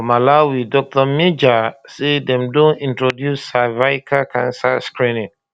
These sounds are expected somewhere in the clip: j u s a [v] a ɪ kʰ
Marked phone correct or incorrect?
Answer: correct